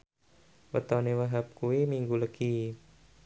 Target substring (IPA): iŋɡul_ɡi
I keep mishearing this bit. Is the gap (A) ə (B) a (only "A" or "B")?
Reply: A